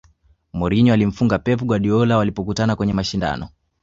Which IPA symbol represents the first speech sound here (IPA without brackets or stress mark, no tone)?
m